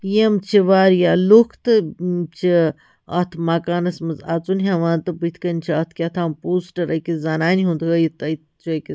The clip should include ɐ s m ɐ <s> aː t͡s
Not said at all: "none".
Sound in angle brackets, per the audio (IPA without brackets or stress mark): z